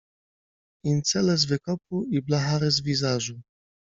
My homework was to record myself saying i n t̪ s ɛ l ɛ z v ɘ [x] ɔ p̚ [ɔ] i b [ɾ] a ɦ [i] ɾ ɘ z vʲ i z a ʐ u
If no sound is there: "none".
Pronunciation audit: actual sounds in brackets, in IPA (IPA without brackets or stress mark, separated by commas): k, u, l, a